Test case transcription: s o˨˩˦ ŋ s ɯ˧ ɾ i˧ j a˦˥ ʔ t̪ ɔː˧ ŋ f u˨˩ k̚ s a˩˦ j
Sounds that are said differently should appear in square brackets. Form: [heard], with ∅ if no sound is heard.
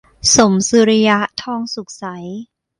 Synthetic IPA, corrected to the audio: s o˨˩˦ [m] s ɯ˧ ɾ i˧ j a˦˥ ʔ [t̪ʰ] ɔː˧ ŋ [s] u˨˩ k̚ s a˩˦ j